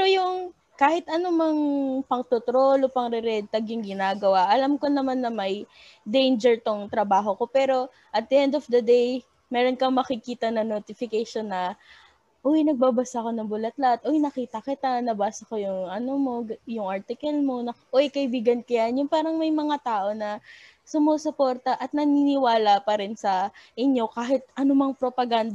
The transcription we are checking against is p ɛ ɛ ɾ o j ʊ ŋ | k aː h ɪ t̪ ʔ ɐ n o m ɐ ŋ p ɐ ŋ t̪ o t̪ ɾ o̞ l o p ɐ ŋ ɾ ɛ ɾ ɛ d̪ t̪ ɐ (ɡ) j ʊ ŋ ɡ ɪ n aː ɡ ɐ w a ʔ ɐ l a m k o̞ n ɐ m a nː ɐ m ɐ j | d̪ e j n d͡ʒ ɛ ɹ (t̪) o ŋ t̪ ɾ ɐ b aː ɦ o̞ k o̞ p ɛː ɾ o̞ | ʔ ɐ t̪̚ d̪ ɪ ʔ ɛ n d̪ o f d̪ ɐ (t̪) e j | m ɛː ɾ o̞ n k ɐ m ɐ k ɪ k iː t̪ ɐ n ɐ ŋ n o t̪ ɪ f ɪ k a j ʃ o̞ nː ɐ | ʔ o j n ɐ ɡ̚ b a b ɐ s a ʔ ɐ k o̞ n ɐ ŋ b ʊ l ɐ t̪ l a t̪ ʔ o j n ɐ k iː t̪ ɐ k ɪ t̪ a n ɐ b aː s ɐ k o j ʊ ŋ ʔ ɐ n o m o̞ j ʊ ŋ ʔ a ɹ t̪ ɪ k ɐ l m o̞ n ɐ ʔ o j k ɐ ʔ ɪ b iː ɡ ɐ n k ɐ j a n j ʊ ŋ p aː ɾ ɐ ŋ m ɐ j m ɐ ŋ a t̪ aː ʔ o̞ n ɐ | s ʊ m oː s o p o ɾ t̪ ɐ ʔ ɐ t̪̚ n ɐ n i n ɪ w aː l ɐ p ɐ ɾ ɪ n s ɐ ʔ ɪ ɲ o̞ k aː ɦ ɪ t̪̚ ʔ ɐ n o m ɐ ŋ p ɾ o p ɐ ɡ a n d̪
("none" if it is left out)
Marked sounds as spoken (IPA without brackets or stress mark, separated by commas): ɡ, t̪, d̪